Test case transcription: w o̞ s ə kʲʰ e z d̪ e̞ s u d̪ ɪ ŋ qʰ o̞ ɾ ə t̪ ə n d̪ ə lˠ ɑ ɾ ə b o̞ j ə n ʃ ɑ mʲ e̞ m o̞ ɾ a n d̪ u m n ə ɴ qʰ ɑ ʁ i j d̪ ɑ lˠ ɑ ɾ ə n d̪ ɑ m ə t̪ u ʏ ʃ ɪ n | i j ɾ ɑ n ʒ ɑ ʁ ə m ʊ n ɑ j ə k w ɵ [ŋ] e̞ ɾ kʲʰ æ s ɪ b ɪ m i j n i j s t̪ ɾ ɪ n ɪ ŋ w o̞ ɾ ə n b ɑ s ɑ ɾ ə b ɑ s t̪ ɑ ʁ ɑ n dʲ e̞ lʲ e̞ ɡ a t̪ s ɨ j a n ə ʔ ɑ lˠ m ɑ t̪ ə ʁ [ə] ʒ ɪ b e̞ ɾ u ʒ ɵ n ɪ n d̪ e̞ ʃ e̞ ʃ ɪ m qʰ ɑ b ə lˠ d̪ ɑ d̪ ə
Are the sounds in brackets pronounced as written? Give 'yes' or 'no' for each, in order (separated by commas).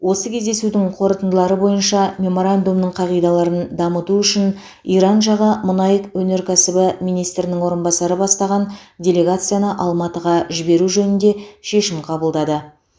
no, no